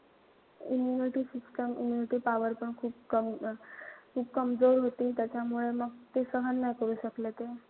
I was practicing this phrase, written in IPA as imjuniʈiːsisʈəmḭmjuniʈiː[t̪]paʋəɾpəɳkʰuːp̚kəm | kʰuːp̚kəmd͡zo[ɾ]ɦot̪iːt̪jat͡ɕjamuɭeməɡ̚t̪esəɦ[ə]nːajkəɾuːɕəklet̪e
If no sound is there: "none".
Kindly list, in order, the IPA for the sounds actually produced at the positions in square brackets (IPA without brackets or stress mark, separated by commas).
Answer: none, ɾ, ə